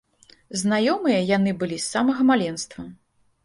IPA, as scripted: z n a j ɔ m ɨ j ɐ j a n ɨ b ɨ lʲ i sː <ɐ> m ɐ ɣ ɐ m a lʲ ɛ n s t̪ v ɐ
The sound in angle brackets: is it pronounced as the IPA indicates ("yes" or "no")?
no